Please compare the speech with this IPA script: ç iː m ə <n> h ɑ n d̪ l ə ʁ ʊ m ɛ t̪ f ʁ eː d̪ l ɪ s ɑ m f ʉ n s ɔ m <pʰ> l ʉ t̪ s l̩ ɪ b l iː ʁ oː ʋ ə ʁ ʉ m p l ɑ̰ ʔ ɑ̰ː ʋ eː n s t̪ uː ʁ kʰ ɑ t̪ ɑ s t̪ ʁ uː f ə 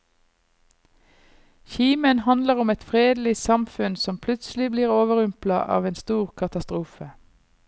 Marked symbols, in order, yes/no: yes, yes

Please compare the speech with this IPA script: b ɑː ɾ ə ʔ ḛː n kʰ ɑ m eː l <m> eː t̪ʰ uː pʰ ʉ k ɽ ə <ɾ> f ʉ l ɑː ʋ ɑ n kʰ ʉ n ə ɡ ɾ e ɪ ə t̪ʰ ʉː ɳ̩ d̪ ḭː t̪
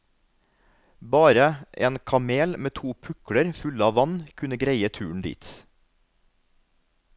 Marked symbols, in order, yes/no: yes, yes

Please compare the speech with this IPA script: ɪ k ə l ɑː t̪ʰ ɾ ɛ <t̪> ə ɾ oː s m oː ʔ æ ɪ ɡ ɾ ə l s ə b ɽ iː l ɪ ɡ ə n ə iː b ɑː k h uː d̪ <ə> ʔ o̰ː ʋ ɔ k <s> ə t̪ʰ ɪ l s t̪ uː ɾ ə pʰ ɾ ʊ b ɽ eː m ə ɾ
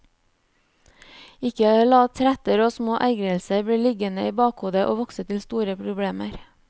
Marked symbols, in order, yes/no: yes, yes, yes

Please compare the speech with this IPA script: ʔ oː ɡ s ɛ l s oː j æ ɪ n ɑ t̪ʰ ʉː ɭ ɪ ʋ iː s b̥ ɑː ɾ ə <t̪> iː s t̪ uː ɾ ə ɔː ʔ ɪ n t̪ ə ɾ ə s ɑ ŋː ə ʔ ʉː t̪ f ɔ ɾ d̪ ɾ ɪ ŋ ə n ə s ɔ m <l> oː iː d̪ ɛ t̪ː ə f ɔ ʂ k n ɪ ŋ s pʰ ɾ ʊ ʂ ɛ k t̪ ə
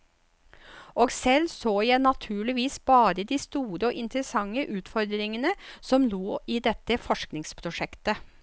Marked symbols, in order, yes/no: no, yes

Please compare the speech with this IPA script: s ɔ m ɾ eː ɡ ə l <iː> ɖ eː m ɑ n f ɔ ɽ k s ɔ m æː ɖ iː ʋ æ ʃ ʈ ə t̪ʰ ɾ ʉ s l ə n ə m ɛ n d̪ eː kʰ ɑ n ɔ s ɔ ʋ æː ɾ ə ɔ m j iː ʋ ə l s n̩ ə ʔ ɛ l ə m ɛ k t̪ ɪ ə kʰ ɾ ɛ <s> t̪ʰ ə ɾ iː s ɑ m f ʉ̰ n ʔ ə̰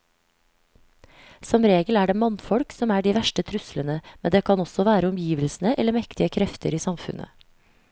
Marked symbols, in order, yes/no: no, no

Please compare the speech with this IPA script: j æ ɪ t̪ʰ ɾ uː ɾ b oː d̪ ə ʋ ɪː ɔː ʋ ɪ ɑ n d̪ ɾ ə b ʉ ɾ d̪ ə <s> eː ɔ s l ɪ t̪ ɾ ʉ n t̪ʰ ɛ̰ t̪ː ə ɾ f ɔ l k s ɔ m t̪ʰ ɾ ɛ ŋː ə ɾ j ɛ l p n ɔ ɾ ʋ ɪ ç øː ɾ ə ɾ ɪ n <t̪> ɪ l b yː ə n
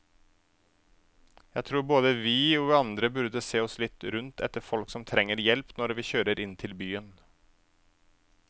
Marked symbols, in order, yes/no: yes, no

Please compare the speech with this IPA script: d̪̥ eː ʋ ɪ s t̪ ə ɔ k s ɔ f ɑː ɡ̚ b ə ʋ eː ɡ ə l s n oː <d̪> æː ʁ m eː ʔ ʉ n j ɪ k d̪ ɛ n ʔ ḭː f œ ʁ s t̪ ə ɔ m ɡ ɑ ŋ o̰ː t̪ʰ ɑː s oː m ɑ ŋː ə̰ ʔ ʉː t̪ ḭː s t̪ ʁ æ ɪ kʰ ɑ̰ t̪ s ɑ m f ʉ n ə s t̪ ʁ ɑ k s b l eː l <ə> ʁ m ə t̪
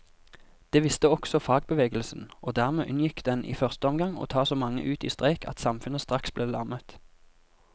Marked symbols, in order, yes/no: yes, no

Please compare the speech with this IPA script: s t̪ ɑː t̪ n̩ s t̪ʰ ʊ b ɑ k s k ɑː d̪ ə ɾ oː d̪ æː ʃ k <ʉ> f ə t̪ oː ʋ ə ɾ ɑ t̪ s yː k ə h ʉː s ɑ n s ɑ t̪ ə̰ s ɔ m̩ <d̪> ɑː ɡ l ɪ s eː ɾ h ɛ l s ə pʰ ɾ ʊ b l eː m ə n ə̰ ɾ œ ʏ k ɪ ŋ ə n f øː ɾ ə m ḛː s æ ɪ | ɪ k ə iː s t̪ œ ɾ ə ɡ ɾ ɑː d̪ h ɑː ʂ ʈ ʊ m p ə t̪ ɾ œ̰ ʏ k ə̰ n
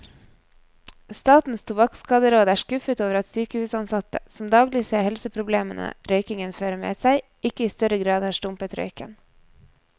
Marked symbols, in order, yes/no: yes, yes

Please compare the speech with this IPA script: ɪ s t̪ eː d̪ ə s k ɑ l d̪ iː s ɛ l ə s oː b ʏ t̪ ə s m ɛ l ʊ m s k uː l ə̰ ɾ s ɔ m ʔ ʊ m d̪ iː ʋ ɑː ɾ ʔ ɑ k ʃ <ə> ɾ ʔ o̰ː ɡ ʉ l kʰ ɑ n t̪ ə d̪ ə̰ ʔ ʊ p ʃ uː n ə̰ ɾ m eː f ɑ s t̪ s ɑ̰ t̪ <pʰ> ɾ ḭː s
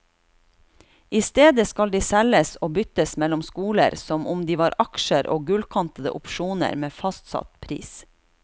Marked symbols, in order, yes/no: yes, yes

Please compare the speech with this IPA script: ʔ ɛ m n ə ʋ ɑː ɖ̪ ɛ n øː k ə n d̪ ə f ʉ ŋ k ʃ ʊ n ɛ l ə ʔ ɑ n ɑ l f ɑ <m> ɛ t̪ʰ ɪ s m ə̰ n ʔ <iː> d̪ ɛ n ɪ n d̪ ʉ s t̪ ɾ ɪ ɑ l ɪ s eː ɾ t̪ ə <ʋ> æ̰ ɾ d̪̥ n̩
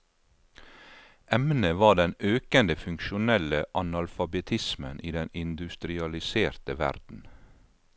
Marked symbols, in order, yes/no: no, yes, yes

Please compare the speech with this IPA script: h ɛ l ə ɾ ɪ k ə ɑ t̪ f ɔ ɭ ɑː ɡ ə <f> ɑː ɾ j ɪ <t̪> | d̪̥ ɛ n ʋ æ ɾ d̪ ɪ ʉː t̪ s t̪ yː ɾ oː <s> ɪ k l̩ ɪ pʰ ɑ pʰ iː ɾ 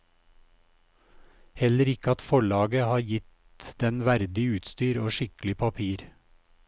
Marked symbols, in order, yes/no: no, yes, no

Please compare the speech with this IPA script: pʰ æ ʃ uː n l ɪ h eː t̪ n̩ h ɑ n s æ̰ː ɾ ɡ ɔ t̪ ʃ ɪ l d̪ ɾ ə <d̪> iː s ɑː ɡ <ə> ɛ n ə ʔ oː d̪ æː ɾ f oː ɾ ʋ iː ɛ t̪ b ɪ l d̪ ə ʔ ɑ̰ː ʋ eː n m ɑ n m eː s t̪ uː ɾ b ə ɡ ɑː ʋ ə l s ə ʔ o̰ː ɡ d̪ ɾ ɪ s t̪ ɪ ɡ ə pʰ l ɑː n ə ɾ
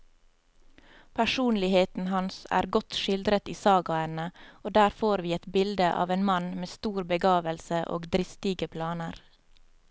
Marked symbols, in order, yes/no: no, no

